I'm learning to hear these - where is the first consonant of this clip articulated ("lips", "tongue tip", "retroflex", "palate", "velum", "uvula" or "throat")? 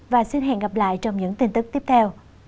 lips